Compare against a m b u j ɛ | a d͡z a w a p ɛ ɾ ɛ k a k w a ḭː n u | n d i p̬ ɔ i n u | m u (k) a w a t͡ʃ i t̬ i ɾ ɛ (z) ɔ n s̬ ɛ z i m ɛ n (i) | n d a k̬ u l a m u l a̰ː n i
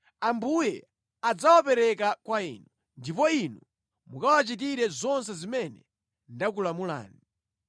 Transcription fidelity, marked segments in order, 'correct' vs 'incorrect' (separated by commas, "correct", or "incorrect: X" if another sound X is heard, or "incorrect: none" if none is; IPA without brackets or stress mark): correct, correct, incorrect: ɛ